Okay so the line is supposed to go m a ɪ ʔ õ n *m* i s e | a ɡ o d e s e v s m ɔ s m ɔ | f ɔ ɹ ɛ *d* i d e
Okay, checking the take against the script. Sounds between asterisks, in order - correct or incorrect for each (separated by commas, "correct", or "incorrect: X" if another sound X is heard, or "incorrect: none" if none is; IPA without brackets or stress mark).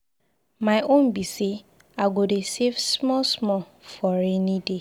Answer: incorrect: b, incorrect: n